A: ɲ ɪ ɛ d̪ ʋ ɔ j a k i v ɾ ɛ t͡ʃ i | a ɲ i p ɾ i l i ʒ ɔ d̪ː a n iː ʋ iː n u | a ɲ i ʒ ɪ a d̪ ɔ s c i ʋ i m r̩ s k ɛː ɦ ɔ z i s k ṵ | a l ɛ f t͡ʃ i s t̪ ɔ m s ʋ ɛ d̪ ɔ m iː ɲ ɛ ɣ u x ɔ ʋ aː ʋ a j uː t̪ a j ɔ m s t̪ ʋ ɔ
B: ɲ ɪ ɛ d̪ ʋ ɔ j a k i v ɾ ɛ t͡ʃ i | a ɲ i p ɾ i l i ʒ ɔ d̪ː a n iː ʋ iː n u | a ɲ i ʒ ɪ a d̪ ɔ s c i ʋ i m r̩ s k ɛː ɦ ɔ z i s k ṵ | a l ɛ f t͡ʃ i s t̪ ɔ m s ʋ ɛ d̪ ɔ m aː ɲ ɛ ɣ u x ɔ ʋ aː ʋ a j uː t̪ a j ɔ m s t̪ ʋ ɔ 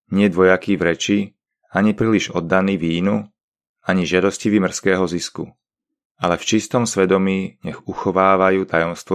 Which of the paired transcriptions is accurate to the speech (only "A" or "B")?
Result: A